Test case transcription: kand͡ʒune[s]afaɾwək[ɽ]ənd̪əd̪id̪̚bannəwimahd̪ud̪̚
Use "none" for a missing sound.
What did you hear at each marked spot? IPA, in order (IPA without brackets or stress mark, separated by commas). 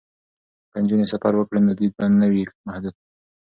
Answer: s, ɽ